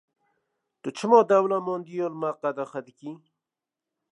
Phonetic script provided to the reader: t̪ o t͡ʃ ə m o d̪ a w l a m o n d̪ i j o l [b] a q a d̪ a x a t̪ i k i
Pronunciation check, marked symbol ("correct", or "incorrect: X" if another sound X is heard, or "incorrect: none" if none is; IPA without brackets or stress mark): incorrect: m